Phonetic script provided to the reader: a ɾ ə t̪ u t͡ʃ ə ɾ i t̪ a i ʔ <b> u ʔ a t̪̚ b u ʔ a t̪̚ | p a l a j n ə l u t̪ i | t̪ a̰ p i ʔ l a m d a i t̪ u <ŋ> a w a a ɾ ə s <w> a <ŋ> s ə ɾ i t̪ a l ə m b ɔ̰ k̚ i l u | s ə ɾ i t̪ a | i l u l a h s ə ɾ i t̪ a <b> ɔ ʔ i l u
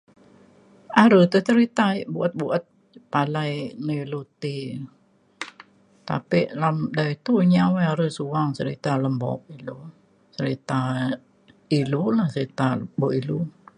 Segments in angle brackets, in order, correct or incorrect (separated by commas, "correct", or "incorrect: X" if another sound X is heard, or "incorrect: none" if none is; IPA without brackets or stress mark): correct, incorrect: ɲ, incorrect: u, correct, correct